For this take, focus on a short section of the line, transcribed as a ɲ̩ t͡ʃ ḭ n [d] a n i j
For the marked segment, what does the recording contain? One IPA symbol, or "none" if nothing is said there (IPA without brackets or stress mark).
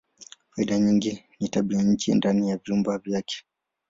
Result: d